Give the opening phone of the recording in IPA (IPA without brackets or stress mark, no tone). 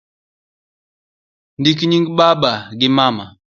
n